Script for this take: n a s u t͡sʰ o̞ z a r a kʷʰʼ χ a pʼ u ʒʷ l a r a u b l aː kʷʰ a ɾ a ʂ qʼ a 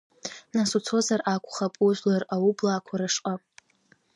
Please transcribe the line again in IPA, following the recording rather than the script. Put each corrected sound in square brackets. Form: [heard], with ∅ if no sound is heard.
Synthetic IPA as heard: n a s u t͡sʰ o̞ z a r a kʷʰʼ χ a pʼ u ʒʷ l a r a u b l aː kʷʰ a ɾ a ʂ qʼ a